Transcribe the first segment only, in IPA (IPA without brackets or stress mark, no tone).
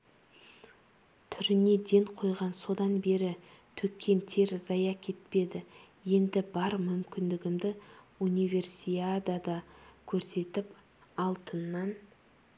t̪ʰ